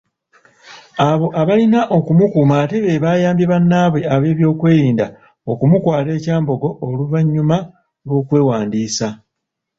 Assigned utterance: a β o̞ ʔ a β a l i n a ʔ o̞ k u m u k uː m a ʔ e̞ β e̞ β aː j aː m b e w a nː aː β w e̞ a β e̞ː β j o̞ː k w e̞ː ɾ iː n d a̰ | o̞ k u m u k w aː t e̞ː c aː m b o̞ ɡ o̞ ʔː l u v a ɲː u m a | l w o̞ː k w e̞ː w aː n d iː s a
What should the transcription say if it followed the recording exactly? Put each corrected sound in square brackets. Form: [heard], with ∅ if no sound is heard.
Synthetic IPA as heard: a β o̞ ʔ a β a l i n a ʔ o̞ k u m u k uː m a [t] e̞ β e̞ β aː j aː m b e [β] a nː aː β w e̞ a β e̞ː β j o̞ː k w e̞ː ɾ iː n d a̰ | o̞ k u m u k w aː t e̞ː c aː m b o̞ ɡ o̞ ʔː l u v a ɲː u m a | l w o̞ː k w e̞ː w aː n d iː s a